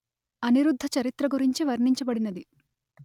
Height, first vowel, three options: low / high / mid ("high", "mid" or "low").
low